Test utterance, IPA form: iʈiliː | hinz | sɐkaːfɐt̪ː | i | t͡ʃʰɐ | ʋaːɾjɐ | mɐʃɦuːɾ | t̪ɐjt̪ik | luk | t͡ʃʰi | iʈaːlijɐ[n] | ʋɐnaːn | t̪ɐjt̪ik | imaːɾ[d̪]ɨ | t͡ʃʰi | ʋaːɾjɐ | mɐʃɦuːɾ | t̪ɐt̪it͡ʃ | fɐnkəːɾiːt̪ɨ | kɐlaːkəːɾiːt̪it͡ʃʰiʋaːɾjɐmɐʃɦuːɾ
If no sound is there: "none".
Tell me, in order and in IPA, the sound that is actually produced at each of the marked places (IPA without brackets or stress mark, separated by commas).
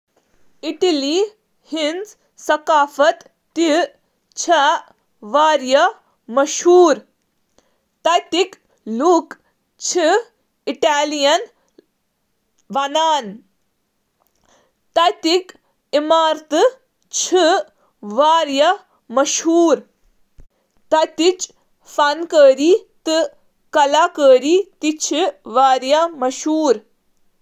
n, t̪